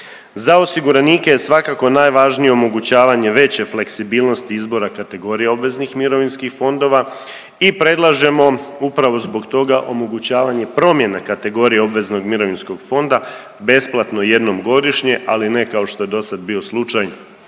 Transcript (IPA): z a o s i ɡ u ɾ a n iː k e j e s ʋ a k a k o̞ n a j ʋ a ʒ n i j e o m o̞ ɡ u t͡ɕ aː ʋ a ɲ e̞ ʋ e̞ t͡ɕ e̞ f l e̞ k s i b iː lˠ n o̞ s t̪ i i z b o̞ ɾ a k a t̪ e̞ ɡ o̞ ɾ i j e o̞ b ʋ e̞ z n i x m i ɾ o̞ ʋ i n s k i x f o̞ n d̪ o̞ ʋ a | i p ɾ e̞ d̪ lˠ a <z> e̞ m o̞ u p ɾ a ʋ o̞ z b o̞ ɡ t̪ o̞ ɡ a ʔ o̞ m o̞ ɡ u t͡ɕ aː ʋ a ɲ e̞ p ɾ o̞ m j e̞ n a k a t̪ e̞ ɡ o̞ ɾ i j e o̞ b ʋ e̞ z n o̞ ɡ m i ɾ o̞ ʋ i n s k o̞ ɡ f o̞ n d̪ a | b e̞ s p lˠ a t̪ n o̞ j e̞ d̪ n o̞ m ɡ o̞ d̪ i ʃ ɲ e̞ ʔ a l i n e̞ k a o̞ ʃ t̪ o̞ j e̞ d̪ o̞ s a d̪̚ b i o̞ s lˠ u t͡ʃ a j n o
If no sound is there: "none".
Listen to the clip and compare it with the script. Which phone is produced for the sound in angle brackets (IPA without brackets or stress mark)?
ʒ